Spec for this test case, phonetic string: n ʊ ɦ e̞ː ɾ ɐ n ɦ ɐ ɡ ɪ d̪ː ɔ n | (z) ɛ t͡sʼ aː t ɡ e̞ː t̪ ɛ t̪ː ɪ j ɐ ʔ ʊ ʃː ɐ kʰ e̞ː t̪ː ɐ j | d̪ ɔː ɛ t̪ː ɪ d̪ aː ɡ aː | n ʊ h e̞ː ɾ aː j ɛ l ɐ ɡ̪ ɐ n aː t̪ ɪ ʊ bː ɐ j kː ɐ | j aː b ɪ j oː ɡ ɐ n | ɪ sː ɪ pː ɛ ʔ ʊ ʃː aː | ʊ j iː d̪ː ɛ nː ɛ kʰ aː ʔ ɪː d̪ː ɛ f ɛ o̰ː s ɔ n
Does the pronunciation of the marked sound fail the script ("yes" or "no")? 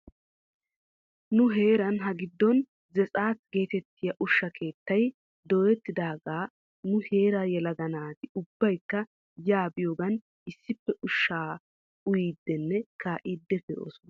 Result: no